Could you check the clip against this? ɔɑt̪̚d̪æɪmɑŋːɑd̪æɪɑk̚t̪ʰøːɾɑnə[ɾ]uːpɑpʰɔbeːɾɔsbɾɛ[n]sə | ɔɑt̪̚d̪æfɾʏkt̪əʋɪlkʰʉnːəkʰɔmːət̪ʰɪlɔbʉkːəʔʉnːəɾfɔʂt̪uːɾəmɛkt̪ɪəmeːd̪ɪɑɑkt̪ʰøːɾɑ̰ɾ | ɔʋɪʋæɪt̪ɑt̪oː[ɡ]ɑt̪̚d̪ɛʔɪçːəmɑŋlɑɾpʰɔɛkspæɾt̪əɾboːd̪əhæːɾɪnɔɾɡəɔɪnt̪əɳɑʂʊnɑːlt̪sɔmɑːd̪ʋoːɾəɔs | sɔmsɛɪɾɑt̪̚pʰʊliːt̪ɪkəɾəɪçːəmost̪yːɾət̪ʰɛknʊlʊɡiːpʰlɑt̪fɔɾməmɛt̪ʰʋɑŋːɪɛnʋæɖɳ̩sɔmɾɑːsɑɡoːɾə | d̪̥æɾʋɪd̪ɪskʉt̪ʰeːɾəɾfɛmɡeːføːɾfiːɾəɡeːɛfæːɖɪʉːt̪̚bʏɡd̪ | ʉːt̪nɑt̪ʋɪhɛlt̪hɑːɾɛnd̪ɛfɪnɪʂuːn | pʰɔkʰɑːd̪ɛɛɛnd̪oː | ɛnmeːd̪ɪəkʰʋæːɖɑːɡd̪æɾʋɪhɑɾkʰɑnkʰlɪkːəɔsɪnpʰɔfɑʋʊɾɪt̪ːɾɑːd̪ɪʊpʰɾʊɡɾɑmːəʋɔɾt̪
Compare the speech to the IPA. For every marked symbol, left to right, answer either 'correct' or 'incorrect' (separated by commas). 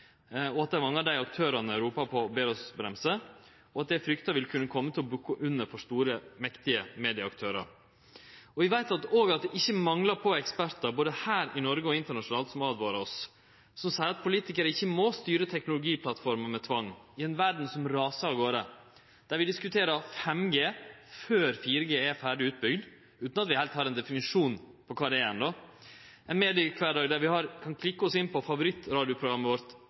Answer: correct, incorrect, correct